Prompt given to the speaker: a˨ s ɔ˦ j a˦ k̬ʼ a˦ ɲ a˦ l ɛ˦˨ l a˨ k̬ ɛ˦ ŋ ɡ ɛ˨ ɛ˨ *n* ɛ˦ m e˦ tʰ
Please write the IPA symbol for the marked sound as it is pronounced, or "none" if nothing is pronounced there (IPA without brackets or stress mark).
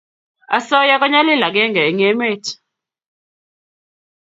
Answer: ŋ